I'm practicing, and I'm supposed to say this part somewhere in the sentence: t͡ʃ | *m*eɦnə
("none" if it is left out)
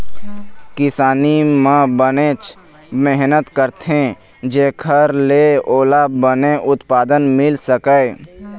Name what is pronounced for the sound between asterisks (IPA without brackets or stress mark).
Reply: m